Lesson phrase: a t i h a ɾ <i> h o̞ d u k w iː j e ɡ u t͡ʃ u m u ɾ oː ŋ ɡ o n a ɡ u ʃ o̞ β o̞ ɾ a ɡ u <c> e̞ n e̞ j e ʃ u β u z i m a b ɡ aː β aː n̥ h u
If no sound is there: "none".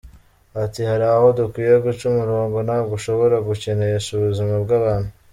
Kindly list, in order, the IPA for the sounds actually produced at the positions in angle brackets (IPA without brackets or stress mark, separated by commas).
a, c